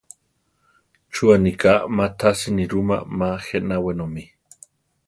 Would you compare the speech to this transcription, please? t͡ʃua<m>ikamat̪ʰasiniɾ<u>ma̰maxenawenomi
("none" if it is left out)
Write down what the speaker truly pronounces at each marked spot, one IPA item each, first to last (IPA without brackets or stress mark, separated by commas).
n, u